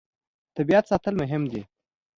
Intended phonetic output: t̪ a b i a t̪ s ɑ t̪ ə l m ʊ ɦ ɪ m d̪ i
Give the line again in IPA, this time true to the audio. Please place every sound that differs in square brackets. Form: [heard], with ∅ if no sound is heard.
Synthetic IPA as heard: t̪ a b i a t̪ s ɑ t̪ ə l m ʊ ɦ ɪ m d̪ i